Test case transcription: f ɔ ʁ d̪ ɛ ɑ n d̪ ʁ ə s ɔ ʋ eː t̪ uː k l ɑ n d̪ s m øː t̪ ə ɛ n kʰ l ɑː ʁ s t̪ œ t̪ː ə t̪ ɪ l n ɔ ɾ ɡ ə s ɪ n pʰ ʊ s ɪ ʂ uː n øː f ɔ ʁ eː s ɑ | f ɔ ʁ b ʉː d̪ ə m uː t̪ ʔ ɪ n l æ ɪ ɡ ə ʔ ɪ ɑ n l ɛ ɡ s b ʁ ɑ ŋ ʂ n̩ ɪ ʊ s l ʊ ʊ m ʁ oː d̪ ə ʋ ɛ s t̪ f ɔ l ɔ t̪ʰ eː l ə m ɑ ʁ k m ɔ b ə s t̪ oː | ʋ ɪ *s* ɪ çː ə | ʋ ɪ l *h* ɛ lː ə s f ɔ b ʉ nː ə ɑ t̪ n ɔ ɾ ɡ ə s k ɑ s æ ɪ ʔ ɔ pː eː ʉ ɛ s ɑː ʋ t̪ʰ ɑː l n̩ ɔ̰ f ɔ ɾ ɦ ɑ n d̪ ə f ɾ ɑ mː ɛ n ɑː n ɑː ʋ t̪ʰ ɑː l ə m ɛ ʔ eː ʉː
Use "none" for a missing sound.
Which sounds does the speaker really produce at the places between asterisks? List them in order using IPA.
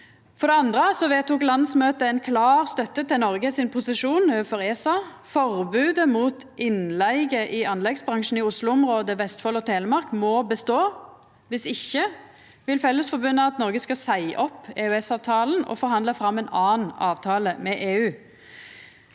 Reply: s, f

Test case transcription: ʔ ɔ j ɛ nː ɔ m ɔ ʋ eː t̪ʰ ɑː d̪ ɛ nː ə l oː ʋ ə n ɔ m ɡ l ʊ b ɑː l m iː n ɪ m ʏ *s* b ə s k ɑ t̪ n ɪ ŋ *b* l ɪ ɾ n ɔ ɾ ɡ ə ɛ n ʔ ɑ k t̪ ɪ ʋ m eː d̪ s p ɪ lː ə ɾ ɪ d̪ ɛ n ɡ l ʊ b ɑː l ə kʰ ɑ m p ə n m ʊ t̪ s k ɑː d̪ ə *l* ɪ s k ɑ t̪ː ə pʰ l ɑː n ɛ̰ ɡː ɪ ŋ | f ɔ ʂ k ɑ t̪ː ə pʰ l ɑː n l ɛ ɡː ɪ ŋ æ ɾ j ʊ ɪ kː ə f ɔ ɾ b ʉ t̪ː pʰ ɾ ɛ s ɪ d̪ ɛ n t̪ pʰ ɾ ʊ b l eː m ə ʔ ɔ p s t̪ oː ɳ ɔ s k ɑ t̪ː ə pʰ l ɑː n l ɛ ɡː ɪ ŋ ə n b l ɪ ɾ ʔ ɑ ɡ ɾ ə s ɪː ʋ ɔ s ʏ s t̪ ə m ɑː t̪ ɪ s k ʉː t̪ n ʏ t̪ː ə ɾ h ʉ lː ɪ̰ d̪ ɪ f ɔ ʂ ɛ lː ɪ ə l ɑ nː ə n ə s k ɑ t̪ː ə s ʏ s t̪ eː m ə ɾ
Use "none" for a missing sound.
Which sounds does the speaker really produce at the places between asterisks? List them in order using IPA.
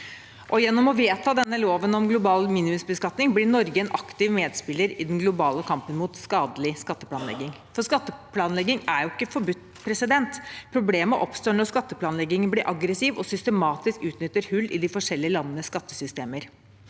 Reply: s, b, l

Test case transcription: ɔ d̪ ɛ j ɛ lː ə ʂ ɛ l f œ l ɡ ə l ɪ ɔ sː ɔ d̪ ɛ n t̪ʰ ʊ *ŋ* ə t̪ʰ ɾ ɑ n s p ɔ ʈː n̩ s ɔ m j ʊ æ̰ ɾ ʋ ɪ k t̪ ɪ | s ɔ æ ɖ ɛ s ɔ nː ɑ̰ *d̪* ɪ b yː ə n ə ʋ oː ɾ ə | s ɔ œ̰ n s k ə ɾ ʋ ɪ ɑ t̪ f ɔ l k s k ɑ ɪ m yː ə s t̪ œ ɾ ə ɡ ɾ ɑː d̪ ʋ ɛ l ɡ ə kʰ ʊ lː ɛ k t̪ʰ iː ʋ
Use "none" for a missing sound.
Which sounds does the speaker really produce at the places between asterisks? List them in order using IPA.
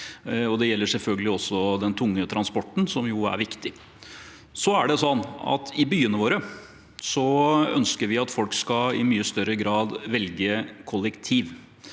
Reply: ŋː, t̪

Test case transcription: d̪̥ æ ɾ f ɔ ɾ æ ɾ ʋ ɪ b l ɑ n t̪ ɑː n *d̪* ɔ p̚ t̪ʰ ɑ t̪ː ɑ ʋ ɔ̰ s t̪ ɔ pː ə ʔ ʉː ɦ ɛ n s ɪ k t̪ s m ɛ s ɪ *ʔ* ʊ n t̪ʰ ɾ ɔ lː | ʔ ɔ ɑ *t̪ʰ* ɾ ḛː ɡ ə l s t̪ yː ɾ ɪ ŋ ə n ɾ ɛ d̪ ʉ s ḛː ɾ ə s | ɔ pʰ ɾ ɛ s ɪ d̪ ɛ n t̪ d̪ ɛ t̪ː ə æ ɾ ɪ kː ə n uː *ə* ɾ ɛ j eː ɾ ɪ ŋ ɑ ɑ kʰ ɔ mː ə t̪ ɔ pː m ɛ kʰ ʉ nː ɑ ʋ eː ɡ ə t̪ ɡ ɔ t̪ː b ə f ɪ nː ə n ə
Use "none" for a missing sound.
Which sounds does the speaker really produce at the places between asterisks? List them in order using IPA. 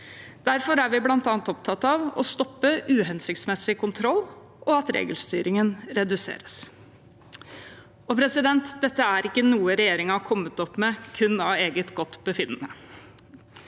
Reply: t̪, k, t̪, ə

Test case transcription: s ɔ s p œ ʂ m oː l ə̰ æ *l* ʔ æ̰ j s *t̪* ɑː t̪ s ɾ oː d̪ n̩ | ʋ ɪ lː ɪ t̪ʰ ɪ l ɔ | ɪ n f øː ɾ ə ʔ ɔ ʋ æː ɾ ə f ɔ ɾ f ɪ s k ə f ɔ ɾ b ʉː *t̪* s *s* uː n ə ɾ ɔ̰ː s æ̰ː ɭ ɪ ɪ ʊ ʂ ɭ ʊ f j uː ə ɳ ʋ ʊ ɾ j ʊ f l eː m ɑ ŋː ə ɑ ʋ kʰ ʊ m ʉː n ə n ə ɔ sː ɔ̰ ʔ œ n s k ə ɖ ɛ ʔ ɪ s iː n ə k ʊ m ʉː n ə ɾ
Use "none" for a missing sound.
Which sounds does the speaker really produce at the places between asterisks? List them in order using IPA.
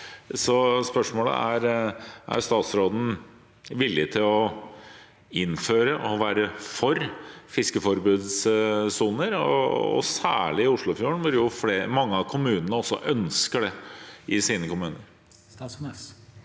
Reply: ɾ, t̪, d̪, s

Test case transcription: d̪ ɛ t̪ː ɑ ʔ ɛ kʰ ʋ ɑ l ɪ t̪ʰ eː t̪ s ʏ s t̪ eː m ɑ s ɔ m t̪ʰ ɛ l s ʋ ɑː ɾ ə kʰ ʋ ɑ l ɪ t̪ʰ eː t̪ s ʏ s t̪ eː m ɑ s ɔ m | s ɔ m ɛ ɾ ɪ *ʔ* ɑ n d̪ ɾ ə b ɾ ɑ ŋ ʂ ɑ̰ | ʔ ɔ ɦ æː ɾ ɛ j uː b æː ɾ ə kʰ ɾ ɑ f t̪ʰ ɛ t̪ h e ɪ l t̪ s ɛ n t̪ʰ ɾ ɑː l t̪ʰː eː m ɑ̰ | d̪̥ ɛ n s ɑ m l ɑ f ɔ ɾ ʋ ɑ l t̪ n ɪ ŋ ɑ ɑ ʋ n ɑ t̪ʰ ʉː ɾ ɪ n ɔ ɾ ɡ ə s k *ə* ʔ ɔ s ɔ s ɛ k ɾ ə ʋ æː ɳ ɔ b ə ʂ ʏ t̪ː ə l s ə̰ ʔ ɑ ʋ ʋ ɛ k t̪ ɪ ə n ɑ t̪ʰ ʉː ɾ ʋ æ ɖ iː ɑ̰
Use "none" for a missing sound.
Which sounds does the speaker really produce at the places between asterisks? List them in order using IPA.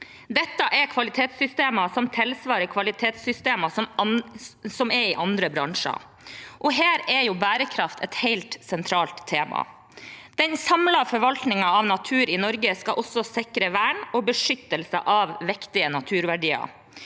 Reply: ʔ, ɑ

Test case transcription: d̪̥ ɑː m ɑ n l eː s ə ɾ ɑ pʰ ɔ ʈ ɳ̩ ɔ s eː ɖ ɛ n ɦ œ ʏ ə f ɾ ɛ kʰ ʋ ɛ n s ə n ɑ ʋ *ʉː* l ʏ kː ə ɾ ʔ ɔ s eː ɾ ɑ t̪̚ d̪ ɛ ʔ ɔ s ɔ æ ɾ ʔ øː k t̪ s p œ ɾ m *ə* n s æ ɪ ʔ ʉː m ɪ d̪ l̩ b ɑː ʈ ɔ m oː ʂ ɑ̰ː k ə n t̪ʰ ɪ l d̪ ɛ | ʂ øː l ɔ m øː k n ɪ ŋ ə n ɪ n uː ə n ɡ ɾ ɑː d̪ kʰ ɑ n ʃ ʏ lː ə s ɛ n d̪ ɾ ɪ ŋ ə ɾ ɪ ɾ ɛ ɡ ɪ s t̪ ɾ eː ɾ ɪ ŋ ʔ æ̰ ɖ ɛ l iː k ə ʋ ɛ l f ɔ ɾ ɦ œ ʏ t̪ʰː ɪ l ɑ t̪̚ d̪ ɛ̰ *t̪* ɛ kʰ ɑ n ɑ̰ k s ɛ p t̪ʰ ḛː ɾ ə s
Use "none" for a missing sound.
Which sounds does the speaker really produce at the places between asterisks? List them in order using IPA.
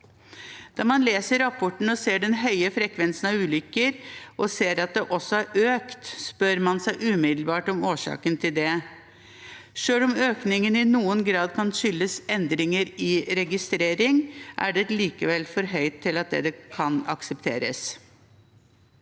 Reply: ʉː, ɑ, d̪

